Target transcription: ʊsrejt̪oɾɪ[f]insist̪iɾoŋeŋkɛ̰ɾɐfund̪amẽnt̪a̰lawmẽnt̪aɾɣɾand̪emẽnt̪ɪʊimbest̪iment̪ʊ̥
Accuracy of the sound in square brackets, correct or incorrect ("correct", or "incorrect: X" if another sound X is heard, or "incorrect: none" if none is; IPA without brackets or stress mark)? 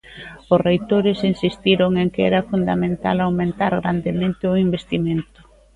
incorrect: s